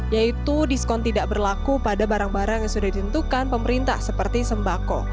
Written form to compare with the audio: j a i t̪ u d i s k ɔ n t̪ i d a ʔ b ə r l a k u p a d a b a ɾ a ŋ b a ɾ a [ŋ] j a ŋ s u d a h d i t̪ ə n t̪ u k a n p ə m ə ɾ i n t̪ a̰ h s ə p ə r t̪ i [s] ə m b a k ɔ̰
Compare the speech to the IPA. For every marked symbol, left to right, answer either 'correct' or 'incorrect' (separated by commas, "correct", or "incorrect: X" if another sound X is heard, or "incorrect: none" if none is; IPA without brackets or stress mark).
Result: correct, correct